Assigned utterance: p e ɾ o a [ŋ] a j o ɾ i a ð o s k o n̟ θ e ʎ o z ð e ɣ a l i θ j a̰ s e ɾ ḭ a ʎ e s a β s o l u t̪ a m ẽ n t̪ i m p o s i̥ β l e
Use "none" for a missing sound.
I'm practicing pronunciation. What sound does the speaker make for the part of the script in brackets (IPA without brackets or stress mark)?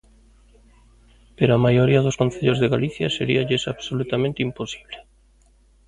m